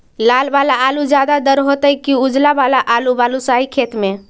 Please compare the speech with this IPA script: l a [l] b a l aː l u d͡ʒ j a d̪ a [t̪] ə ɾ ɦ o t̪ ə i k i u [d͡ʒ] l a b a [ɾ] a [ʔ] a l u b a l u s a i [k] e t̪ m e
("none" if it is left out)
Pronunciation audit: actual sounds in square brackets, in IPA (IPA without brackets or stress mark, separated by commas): l, d̪, d͡ʒ, l, ʔ, kʰ